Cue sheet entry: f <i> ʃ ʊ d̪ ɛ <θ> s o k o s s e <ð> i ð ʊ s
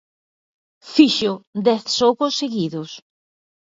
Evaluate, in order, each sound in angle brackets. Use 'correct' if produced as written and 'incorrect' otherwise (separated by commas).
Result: correct, correct, incorrect